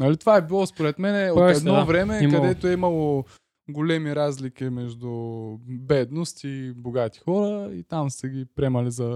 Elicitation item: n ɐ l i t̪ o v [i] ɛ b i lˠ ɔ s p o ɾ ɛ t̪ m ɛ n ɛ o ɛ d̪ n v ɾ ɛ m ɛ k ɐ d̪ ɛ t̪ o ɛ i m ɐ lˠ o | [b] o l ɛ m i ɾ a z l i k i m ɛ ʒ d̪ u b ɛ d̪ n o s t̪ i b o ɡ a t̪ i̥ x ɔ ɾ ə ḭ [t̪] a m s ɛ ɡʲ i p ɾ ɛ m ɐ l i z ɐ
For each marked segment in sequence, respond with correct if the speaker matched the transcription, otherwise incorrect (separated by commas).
incorrect, incorrect, correct